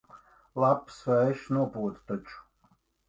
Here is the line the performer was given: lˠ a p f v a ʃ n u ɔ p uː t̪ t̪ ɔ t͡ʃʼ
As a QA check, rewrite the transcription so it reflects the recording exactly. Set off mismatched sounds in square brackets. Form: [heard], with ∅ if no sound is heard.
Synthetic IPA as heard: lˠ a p [s] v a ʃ n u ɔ p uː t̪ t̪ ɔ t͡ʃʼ

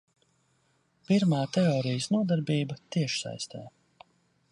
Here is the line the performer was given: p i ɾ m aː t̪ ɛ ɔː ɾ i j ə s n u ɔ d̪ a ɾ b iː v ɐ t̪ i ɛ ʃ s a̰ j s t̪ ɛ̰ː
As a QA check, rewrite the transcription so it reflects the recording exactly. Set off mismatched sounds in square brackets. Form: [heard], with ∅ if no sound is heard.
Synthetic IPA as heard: p i ɾ m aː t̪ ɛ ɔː ɾ i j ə s n u ɔ d̪ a ɾ b iː [b] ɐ t̪ i ɛ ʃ s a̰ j s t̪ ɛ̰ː

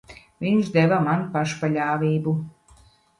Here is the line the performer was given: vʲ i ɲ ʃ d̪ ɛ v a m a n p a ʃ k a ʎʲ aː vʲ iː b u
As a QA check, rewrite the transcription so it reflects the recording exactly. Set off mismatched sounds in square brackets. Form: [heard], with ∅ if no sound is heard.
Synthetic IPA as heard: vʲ i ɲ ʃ d̪ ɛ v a m a n p a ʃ [p] a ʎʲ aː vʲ iː b u

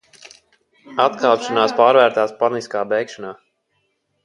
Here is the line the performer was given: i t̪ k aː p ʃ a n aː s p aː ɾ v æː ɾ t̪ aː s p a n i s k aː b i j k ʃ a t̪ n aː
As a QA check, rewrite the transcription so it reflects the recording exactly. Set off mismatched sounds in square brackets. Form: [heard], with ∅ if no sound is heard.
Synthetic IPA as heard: [a] t̪ k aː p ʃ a n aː s p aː ɾ v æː ɾ t̪ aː s p a n i s k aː b [ɛ] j k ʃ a [∅] n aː

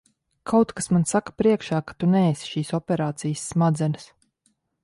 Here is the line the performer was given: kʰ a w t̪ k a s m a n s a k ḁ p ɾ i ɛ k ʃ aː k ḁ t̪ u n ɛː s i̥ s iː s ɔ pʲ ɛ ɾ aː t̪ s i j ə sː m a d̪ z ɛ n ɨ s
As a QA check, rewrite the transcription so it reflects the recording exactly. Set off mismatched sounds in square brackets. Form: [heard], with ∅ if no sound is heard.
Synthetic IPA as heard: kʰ a w t̪ k a s m a n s a k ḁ p ɾ i ɛ k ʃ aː k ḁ t̪ u n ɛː s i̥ [ʃ] iː s ɔ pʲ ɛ ɾ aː t̪ s i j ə sː m a d̪ z ɛ n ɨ s

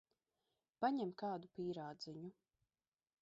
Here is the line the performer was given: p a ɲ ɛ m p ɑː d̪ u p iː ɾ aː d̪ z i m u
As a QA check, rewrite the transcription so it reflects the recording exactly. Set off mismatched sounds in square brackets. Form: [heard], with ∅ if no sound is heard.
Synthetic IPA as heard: p a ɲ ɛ m [k] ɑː d̪ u p iː ɾ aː d̪ z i [ɲ] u

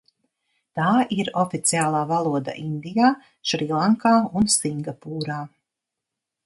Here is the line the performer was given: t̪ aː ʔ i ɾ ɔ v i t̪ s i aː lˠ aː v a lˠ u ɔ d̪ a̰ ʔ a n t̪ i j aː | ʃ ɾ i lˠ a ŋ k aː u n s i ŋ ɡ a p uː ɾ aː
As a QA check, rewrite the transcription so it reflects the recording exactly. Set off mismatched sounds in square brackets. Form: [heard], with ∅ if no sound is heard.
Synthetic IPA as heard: t̪ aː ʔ i ɾ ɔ [f] i t̪ s i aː lˠ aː v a lˠ u ɔ d̪ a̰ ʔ [i] n [d̪] i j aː | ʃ ɾ i lˠ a ŋ k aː u n s i ŋ ɡ a p uː ɾ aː

